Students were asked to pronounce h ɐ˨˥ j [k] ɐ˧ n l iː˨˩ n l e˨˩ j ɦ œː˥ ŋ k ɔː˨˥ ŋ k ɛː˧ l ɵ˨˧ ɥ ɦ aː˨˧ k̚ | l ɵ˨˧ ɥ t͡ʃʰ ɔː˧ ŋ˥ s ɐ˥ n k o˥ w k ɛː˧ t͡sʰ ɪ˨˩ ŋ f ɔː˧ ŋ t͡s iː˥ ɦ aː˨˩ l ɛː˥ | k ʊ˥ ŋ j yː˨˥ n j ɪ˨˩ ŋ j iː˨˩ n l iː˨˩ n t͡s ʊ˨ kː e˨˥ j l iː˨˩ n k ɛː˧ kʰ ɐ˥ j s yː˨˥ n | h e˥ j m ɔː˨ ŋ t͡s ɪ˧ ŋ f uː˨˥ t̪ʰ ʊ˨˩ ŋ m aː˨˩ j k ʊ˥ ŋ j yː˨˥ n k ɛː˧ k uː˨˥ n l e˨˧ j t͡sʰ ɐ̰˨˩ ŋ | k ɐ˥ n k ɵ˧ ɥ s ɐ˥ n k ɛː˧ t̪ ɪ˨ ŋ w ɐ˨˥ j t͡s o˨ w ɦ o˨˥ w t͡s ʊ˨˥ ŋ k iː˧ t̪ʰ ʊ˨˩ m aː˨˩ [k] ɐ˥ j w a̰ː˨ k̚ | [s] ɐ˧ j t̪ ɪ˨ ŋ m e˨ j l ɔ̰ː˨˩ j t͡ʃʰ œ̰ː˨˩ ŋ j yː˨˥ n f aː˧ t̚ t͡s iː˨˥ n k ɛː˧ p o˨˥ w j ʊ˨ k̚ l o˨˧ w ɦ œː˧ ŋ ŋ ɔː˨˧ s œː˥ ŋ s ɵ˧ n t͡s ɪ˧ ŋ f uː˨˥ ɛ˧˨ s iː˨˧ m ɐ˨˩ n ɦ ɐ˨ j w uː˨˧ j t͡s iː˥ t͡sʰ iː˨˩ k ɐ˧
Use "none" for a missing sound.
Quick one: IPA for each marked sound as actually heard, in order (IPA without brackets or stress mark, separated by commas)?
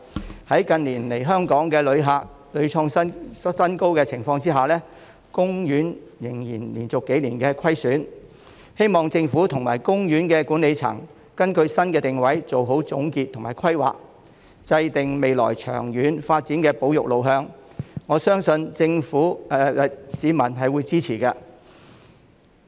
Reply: k, kʰ, t͡s